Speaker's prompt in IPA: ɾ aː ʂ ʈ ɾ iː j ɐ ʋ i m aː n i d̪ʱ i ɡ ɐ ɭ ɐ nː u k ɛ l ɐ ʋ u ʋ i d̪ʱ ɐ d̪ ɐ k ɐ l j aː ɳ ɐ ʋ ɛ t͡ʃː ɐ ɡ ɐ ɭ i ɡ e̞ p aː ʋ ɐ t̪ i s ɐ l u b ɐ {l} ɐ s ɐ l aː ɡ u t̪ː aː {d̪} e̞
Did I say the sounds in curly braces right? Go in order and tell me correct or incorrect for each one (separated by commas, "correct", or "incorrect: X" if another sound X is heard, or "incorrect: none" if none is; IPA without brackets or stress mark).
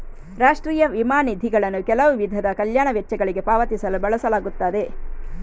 incorrect: ɭ, correct